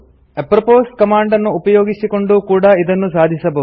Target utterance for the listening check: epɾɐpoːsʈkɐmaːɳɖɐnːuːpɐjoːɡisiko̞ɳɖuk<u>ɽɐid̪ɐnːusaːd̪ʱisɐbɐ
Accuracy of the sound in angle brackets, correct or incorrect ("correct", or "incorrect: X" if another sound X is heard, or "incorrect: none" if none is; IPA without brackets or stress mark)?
incorrect: uː